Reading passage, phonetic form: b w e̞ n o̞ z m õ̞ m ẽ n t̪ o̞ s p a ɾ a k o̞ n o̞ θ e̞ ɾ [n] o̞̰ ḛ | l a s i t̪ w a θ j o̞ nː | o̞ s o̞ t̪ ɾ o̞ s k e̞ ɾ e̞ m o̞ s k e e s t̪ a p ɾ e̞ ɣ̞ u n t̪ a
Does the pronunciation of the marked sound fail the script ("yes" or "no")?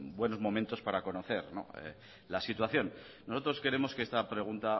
no